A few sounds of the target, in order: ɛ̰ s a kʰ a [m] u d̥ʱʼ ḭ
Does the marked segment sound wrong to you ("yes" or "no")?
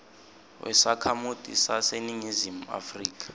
no